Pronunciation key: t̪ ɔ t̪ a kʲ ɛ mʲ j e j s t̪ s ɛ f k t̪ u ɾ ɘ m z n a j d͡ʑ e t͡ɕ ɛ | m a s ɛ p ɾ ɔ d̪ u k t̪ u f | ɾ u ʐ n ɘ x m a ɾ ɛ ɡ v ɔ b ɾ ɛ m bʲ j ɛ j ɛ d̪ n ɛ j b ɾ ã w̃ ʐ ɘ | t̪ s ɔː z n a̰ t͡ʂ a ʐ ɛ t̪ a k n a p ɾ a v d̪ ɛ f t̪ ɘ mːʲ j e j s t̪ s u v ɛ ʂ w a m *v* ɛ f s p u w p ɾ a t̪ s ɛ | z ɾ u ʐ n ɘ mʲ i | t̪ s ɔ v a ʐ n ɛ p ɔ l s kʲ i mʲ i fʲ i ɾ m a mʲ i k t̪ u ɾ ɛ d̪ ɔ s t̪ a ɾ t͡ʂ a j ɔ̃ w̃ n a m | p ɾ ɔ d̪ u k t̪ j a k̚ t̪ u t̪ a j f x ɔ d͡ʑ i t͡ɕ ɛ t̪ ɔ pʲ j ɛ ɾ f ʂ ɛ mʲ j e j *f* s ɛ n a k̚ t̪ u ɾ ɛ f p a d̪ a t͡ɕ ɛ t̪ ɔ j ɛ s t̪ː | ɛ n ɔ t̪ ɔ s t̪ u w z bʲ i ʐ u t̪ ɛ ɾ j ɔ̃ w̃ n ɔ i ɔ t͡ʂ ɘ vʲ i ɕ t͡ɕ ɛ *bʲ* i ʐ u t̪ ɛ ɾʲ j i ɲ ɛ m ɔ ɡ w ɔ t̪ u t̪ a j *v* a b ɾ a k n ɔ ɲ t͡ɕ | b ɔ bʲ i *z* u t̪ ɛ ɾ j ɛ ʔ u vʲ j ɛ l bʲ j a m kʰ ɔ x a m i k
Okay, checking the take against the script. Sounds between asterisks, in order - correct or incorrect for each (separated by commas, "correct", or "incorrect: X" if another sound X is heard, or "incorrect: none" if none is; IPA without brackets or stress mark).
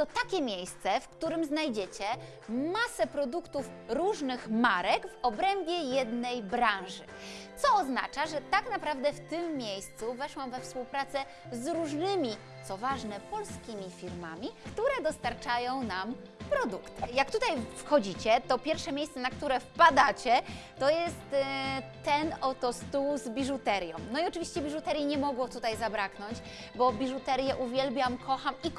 correct, incorrect: s, correct, incorrect: z, incorrect: ʐ